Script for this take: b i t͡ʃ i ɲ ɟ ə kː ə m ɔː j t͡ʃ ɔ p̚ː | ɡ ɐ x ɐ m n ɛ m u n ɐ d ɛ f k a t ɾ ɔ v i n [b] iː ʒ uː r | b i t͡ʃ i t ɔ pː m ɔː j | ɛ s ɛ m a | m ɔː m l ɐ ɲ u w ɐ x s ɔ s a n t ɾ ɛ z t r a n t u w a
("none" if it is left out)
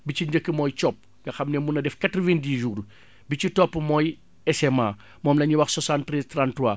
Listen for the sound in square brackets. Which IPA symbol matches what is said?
d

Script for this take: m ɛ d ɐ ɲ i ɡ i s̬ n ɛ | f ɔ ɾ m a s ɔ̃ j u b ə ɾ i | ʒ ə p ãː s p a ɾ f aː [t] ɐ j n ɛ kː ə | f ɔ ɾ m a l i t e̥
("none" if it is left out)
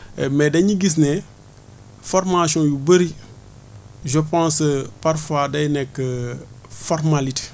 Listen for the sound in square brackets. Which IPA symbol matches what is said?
d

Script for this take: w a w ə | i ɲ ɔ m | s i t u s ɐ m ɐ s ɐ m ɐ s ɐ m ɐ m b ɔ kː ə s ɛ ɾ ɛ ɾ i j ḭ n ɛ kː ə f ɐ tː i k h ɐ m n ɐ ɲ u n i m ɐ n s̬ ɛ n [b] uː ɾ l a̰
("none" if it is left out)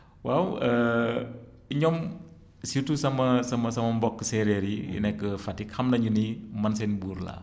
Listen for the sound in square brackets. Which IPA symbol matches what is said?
b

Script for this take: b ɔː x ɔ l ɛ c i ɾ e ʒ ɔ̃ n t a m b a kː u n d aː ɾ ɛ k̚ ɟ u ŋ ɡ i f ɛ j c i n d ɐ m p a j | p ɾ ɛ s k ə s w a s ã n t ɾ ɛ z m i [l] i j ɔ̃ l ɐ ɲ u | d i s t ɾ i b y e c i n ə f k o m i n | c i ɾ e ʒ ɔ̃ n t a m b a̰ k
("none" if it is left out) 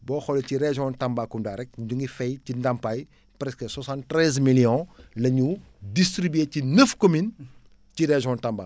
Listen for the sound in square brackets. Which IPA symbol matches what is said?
l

